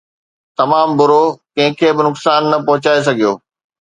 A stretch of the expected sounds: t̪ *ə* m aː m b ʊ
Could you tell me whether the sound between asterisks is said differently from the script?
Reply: yes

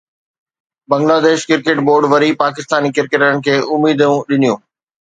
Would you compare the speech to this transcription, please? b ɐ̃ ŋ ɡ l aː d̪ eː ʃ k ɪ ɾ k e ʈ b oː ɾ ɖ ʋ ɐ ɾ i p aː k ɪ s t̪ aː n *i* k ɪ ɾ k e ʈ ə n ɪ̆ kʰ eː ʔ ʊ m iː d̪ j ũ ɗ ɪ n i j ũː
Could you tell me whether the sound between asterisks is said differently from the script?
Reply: no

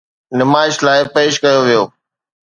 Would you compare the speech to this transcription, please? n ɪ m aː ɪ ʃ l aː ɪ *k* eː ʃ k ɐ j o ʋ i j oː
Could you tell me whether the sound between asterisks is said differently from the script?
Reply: yes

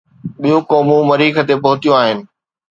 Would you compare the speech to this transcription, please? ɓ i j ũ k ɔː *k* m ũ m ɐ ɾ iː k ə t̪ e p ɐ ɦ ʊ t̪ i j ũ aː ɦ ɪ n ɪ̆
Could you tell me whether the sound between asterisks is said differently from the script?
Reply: yes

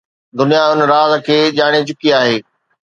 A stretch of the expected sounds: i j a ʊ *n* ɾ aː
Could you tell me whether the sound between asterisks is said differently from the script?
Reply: no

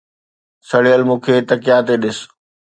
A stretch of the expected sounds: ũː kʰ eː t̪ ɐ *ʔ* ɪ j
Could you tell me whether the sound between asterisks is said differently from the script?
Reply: yes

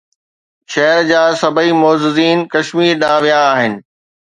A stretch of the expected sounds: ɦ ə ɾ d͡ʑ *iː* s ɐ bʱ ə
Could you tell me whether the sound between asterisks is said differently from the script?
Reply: yes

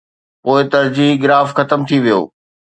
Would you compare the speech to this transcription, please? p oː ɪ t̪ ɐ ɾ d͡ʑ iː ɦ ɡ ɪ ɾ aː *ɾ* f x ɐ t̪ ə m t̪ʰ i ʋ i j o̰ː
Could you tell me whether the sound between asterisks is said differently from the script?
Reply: yes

